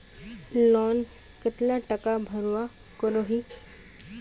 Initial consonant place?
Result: alveolar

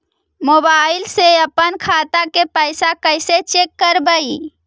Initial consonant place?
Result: labial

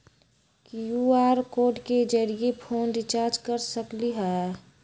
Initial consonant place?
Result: velar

